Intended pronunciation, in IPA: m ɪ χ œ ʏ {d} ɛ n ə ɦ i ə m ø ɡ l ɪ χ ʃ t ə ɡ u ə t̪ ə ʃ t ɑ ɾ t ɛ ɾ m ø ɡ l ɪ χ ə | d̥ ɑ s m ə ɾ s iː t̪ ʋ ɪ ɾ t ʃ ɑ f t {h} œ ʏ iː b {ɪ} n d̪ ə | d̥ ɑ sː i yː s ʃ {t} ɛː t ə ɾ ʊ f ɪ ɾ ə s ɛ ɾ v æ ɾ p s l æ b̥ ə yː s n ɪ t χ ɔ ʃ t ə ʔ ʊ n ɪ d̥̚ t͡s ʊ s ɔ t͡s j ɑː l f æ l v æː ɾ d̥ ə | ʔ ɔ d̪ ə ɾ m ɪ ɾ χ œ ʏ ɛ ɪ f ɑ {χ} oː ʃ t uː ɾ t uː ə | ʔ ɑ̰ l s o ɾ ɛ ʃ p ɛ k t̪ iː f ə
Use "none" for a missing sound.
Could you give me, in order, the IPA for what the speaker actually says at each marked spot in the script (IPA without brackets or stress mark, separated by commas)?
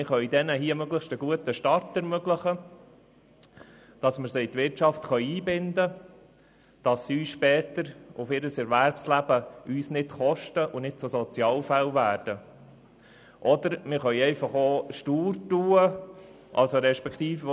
d, χ, ɪ, p, χ